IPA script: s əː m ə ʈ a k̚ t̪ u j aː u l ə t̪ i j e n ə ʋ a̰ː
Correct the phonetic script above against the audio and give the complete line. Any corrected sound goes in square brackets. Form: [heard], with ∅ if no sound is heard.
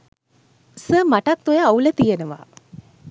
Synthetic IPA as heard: s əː m [a] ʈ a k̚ t̪ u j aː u l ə t̪ i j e n ə ʋ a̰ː

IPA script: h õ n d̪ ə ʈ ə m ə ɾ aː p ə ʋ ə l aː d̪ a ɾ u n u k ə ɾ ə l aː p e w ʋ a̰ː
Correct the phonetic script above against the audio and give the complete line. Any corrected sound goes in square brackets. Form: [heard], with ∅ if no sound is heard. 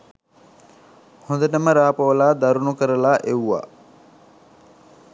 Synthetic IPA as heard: h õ n d̪ ə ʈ ə m ə ɾ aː p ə ʋ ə l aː d̪ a ɾ u n u k ə ɾ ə l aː [ʔ] e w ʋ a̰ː

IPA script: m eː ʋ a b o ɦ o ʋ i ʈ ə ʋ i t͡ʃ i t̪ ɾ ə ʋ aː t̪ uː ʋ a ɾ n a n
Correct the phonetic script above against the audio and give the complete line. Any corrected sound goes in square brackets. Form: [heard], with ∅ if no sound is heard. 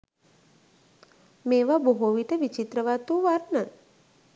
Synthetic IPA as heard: m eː ʋ a b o ɦ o ʋ i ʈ ə ʋ i t͡ʃ i t̪ ɾ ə ʋ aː t̪ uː ʋ a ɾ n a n

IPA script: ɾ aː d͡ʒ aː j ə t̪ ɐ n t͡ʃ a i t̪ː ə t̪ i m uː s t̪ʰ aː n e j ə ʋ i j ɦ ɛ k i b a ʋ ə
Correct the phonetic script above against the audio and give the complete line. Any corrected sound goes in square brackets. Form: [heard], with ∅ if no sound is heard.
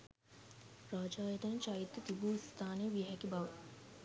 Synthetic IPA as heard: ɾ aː d͡ʒ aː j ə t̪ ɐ n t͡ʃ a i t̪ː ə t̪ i [b] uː s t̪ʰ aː n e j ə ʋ i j ɦ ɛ k i b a ʋ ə

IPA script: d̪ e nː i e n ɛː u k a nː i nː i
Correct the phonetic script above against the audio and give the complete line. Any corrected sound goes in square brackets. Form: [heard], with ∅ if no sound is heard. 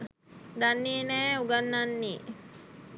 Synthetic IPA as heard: d̪ [a] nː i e n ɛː u [ɡ] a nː [a] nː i

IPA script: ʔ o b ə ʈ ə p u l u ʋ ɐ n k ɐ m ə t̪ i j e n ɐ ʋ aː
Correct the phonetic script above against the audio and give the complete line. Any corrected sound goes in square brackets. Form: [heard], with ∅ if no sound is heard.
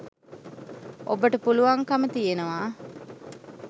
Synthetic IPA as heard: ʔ o b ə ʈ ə p u l u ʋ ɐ [ŋ] k ɐ m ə t̪ i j e n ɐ ʋ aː

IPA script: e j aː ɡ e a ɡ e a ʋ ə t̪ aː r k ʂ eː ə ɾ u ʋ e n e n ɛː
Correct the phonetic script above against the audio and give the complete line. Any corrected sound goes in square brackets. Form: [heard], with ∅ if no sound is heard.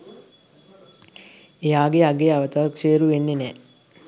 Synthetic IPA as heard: e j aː ɡ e a ɡ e a ʋ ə t̪ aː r k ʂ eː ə ɾ u ʋ e [nː] e n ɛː

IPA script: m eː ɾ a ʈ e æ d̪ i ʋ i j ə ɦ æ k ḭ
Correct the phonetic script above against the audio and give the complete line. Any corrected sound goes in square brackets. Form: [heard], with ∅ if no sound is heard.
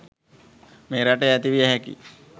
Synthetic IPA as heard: m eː ɾ a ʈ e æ [t̪] i ʋ i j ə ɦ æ k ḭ

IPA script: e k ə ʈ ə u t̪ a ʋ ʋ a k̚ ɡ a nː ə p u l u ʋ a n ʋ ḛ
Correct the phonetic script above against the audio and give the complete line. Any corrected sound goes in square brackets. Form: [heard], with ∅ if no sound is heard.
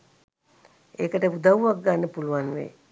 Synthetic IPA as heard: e k ə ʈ ə u [d̪] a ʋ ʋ a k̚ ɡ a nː ə p u l u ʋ a n ʋ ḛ

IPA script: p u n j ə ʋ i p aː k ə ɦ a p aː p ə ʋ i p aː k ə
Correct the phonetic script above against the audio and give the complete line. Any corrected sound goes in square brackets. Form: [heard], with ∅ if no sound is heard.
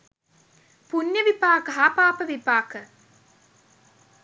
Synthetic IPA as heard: p u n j ə ʋ i p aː k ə ɦ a p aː p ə ʋ i p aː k ə

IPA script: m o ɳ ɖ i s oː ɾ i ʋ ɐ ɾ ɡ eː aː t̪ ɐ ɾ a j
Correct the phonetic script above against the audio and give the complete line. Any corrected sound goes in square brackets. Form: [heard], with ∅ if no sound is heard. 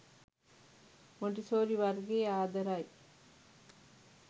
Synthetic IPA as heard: m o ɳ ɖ i s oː ɾ i ʋ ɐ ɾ ɡ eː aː [d̪] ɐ ɾ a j

